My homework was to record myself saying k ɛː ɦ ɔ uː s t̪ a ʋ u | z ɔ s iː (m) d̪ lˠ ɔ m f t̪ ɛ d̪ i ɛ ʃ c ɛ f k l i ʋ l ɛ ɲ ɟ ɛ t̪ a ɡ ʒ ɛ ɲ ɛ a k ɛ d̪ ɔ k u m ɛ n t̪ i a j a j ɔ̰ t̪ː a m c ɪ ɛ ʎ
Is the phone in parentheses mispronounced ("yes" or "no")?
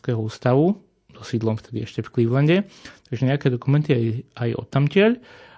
yes